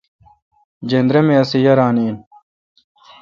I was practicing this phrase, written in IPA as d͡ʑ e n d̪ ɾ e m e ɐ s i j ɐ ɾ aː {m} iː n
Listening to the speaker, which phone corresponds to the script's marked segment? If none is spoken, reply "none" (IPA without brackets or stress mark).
n